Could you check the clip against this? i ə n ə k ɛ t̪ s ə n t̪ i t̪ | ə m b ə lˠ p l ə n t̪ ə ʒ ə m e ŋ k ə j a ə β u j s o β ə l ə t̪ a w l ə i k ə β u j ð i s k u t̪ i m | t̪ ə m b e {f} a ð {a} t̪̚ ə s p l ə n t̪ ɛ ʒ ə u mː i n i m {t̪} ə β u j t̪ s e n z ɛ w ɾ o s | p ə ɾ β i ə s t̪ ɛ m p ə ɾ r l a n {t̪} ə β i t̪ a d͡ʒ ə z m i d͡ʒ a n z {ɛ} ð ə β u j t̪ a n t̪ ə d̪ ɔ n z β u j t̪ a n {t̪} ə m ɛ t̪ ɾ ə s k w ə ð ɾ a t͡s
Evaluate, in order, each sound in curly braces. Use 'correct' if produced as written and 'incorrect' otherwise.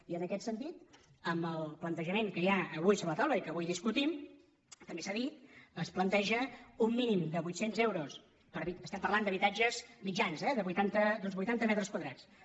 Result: incorrect, incorrect, incorrect, incorrect, correct, correct

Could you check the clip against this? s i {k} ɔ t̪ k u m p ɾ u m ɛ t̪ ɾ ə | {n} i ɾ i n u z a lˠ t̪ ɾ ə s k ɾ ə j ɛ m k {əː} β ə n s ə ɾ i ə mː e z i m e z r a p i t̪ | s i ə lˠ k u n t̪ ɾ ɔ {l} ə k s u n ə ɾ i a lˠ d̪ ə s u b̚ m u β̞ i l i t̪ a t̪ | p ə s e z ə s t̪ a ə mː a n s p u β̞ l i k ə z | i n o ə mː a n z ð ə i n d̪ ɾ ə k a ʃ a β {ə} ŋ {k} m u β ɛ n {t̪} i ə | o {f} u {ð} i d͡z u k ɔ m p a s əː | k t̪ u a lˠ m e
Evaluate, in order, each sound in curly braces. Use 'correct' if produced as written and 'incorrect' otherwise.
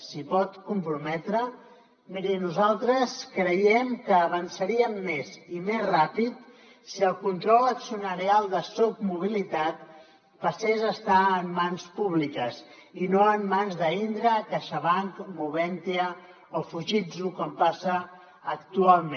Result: incorrect, incorrect, correct, correct, incorrect, correct, correct, correct, incorrect

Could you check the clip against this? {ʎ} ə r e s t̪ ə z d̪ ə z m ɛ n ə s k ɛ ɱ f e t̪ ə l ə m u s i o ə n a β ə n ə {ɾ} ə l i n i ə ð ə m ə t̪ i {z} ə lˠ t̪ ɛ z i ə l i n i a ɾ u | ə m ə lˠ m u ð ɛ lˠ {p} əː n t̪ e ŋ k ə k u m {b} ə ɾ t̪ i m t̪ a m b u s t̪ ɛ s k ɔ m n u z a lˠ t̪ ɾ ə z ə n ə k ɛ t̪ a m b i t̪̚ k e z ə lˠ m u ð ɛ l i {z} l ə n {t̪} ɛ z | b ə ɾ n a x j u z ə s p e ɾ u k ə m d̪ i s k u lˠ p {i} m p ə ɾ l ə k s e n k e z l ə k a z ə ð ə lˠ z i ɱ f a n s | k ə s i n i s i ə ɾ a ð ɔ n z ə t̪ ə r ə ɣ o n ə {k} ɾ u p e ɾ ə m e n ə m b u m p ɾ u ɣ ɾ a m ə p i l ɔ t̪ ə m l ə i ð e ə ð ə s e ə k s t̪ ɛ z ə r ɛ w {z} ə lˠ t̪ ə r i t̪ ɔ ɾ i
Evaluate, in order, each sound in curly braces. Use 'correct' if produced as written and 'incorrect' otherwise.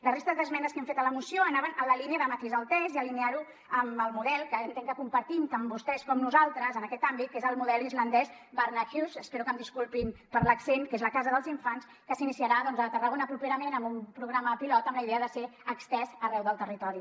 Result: incorrect, incorrect, correct, incorrect, incorrect, correct, incorrect, correct, incorrect, incorrect

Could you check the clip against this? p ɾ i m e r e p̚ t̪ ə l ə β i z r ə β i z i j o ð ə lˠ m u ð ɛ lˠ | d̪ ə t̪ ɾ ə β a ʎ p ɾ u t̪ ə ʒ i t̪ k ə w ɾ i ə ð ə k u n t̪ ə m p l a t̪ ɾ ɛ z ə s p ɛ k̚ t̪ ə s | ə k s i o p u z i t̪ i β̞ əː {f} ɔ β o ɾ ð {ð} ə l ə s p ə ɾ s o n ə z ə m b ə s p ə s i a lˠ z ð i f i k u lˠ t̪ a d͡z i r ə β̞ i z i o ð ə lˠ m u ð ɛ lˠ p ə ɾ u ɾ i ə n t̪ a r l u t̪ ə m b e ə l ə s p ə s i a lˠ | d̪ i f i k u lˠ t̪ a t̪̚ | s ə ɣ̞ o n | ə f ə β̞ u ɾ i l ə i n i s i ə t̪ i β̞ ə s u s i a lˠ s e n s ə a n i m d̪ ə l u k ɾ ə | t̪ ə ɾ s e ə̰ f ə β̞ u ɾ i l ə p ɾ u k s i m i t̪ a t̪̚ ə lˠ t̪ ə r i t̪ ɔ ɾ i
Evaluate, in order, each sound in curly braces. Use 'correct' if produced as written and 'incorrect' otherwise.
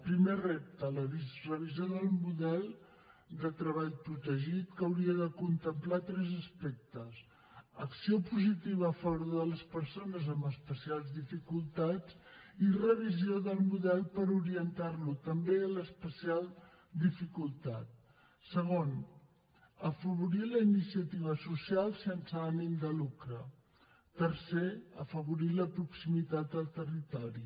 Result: correct, correct

